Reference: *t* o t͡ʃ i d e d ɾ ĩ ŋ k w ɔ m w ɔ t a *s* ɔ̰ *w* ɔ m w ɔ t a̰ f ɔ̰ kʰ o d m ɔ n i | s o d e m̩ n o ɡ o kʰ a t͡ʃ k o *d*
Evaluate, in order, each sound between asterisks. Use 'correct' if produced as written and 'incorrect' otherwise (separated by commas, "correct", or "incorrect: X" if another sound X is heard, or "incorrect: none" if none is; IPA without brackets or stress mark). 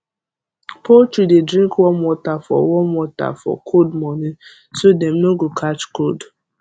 incorrect: p, incorrect: f, correct, correct